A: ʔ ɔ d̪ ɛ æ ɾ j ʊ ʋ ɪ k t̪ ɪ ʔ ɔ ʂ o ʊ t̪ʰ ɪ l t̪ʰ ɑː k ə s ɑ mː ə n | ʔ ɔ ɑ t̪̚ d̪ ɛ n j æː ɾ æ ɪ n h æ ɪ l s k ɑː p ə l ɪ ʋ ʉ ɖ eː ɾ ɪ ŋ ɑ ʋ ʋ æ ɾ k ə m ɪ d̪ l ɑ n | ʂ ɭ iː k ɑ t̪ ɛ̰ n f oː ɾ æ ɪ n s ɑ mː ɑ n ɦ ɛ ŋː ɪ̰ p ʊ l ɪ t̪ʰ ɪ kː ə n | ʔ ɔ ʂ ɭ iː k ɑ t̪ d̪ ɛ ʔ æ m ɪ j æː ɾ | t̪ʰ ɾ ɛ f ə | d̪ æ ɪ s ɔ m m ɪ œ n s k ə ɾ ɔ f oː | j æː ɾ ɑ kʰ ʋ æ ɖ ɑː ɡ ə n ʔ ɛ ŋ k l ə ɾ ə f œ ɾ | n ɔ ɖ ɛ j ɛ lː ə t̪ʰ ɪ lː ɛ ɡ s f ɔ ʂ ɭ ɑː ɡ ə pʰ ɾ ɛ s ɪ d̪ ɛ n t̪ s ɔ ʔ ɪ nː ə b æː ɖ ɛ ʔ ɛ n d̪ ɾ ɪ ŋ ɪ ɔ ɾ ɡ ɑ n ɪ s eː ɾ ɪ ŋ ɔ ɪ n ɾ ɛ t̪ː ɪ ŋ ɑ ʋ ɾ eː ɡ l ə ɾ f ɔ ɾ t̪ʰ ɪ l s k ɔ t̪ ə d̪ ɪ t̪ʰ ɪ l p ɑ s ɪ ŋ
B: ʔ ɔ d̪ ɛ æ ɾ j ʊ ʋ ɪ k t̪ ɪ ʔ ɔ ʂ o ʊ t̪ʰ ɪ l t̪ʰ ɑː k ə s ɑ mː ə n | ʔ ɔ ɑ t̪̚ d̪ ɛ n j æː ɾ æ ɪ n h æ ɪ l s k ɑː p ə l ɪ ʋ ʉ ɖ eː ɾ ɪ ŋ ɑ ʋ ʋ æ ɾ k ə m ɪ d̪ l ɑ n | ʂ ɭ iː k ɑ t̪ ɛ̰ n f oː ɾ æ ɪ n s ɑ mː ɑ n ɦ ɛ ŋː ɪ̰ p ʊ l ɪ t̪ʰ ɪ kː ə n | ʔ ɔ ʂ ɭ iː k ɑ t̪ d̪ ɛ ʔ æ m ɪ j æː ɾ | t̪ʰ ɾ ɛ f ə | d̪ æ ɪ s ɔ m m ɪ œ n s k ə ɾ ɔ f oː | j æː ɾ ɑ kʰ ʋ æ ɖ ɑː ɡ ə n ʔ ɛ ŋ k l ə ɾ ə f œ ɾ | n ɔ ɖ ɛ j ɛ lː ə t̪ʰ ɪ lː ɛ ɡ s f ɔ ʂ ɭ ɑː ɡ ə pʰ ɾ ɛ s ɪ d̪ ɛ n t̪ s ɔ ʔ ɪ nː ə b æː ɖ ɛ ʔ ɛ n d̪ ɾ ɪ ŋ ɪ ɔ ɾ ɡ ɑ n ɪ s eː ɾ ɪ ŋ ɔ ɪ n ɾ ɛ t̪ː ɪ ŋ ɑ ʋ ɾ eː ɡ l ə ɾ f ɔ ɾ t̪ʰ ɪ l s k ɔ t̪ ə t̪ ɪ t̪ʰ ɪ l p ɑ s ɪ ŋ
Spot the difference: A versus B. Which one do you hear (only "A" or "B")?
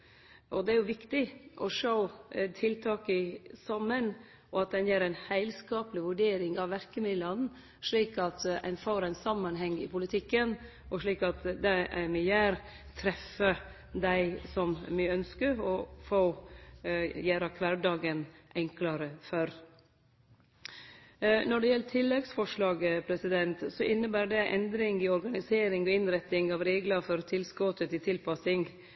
B